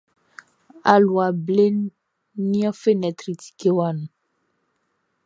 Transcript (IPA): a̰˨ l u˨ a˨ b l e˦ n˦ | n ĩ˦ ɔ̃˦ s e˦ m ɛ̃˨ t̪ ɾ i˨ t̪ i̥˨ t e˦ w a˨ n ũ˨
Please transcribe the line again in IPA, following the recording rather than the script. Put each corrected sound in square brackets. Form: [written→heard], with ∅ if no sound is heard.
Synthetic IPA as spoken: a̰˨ l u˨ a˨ b l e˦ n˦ | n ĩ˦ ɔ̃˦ [s→f] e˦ [m→n] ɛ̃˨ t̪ ɾ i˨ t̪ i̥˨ [t→k] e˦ w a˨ n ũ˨